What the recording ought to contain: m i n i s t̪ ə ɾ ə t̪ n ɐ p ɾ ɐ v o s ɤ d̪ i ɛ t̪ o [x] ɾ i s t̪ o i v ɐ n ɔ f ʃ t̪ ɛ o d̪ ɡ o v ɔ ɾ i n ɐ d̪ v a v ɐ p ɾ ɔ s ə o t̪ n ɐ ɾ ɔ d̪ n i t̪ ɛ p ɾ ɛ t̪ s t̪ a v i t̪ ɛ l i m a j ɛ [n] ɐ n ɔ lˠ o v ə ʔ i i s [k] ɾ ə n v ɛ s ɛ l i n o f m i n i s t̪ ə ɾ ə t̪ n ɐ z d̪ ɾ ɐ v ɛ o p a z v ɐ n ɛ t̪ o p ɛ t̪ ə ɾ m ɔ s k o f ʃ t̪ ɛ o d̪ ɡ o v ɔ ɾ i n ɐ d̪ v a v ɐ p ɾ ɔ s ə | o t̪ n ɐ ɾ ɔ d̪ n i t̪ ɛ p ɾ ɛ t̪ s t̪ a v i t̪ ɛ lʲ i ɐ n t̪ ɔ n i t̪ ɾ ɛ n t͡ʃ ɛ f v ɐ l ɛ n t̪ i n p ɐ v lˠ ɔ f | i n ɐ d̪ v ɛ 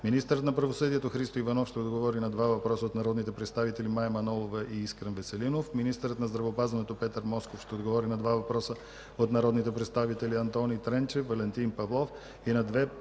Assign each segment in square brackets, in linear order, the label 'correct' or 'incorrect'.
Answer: correct, incorrect, correct

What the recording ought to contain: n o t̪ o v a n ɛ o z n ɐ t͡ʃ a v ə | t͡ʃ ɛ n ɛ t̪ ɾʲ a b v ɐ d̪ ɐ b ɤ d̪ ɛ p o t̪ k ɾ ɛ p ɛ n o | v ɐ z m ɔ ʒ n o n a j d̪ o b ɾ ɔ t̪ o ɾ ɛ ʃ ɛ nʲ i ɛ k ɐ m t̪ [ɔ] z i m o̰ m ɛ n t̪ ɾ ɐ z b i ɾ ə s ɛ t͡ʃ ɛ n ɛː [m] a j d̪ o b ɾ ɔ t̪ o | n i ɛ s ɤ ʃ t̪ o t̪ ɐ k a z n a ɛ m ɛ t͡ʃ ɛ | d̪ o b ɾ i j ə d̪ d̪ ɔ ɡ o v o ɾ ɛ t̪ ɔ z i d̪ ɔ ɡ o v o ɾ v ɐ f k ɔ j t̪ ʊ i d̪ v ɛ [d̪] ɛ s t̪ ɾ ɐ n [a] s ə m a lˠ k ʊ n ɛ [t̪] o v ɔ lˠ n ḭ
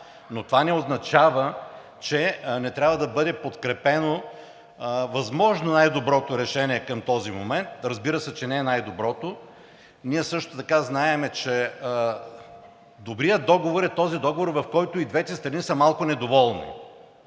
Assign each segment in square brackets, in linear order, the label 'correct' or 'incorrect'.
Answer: correct, incorrect, incorrect, incorrect, incorrect

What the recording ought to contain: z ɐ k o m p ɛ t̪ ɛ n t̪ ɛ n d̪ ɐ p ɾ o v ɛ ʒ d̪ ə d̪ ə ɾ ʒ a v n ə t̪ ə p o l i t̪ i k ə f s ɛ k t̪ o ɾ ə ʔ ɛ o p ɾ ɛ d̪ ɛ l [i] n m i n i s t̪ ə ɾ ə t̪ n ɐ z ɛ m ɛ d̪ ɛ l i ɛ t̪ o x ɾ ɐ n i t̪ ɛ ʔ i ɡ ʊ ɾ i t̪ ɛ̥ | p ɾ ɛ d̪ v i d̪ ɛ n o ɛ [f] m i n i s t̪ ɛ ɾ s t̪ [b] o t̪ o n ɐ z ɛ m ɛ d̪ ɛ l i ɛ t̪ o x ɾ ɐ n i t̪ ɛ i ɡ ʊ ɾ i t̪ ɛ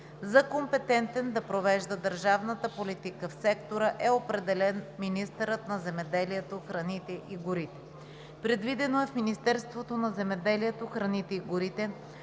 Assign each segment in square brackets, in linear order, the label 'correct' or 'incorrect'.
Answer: incorrect, correct, incorrect

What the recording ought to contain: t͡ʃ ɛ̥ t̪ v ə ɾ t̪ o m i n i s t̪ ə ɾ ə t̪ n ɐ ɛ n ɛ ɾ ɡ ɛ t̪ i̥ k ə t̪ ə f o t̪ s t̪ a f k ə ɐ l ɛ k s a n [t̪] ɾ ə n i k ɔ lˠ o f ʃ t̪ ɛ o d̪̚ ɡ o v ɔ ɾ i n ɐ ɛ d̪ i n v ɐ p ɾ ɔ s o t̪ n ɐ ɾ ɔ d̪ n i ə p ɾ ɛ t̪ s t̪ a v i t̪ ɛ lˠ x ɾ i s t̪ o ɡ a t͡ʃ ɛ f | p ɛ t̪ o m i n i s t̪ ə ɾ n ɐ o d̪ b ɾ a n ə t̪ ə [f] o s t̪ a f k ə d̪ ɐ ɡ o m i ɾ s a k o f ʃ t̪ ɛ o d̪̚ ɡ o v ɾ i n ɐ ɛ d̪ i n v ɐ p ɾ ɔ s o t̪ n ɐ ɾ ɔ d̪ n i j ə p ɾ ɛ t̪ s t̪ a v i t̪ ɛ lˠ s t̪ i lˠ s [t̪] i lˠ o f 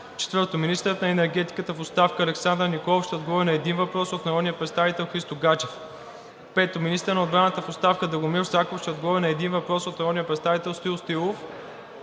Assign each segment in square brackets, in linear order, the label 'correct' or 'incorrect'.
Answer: incorrect, correct, correct

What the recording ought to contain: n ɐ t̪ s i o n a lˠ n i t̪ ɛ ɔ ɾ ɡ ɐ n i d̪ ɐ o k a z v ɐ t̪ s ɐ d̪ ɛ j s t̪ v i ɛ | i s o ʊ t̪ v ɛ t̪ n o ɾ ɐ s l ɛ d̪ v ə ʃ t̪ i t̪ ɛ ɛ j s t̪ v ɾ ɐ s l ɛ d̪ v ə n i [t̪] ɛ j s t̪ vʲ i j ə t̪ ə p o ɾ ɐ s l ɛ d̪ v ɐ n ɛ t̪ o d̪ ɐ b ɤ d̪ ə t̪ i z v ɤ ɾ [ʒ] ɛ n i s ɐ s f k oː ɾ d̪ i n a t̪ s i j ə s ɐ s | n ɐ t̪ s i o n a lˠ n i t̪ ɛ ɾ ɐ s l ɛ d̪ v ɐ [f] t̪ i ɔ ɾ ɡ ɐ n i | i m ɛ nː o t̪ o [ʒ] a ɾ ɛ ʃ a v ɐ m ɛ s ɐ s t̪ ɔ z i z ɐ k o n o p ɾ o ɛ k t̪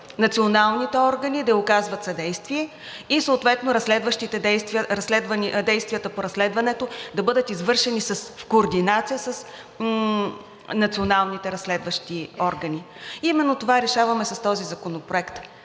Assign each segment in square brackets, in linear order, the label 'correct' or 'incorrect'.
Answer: incorrect, incorrect, incorrect, incorrect

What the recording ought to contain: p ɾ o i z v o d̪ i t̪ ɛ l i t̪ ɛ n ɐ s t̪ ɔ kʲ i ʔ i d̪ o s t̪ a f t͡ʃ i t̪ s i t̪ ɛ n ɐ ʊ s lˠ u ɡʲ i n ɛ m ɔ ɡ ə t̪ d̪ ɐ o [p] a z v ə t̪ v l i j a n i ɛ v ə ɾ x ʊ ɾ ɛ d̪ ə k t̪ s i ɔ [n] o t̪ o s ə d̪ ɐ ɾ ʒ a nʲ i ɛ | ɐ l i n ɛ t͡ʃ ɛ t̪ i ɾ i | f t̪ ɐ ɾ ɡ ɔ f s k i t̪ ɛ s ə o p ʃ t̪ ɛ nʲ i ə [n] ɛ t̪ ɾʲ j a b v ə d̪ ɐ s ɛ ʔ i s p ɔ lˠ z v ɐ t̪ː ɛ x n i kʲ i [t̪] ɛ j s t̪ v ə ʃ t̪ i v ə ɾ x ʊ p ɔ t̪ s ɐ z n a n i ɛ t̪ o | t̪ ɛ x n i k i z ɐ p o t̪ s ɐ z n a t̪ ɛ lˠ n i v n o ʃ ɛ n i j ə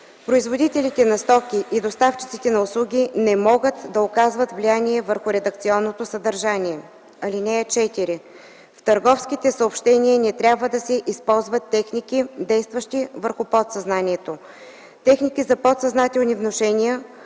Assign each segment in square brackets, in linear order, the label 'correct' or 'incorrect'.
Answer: incorrect, incorrect, correct, incorrect

